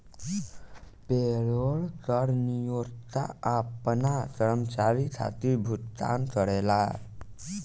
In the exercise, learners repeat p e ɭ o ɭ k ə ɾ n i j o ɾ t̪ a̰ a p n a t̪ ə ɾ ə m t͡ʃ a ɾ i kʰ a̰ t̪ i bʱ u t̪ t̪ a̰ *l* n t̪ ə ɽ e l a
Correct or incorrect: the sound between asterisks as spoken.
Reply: incorrect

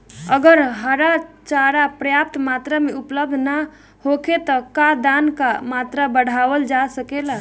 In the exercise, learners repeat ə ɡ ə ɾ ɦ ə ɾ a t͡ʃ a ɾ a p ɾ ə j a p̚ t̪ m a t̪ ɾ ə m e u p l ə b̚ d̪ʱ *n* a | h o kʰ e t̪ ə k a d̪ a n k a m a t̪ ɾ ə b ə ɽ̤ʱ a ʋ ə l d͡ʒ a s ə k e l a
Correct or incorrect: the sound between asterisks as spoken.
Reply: correct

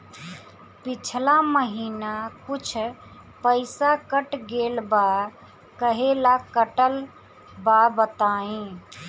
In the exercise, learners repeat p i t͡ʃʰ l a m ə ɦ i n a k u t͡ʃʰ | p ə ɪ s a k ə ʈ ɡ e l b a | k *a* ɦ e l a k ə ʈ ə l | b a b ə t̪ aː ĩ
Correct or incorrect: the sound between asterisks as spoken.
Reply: incorrect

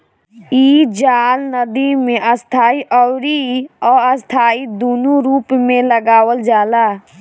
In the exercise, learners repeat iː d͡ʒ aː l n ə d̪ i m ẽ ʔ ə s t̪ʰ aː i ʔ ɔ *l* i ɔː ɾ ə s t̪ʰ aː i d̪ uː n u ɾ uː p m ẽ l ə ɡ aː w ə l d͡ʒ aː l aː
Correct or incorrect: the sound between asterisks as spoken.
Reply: incorrect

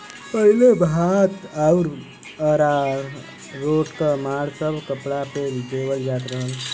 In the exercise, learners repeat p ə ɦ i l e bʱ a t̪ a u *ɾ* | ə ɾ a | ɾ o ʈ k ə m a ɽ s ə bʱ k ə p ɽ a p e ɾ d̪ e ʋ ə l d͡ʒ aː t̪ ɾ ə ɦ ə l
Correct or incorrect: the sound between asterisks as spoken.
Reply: correct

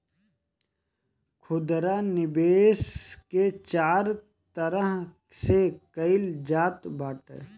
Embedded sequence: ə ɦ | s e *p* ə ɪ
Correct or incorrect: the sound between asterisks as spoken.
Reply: incorrect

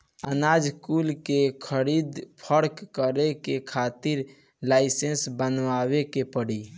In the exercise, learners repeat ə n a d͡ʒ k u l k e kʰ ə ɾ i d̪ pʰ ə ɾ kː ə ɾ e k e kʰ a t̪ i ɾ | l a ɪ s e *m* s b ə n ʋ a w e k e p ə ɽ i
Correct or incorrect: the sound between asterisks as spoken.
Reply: incorrect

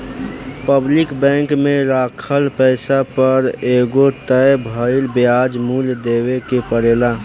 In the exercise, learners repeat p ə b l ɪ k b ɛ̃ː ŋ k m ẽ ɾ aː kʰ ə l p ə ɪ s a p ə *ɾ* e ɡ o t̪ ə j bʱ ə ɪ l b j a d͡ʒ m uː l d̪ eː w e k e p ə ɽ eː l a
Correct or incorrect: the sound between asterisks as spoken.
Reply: correct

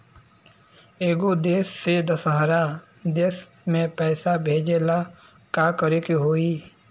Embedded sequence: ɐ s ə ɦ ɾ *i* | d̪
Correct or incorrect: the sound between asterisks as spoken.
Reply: incorrect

